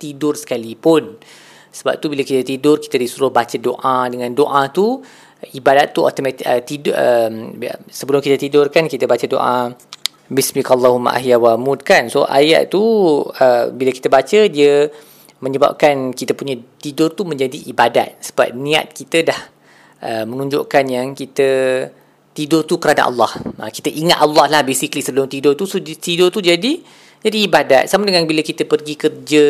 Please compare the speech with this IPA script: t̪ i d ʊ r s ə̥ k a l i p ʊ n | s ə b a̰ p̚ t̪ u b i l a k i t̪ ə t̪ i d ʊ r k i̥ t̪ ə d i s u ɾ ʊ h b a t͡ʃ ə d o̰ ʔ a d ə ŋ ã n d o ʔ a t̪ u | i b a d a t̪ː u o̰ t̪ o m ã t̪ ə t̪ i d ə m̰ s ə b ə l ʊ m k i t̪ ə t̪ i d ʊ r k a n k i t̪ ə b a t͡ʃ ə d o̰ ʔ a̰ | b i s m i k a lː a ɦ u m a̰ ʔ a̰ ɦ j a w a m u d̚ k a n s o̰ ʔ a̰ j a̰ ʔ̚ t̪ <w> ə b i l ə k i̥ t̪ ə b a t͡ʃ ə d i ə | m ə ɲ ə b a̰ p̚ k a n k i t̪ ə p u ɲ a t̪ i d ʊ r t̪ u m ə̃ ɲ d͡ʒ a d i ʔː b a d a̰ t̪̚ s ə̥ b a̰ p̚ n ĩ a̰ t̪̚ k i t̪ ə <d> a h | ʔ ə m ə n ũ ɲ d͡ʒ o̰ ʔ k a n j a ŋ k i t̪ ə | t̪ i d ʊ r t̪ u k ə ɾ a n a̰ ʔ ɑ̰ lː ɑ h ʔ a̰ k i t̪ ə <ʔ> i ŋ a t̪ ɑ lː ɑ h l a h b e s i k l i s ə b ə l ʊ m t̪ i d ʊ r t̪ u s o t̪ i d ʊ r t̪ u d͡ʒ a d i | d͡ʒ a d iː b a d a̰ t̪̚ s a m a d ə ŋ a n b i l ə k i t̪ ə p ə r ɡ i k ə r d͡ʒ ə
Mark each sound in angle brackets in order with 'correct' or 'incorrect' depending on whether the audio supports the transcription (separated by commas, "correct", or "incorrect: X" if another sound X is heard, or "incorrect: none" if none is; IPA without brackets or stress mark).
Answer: incorrect: u, correct, correct